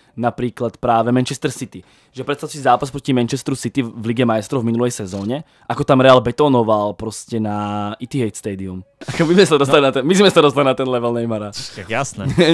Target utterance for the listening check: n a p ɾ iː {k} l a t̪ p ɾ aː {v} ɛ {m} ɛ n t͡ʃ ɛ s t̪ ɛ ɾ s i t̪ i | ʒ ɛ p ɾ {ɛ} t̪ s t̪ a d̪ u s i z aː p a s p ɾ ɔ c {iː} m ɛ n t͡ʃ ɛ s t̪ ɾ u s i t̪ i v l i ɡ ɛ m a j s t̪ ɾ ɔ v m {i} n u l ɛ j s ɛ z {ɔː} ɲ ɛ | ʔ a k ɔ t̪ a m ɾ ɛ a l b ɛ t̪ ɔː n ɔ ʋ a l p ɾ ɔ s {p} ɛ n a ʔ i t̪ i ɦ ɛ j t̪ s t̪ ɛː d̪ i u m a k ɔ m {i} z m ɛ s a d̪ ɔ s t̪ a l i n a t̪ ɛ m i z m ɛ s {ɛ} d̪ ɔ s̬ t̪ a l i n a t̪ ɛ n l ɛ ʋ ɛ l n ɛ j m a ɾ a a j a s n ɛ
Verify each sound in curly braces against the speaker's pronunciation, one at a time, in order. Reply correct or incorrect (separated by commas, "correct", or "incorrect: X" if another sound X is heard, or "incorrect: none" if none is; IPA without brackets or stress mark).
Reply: correct, incorrect: ʋ, correct, correct, incorrect: i, correct, correct, incorrect: c, correct, incorrect: a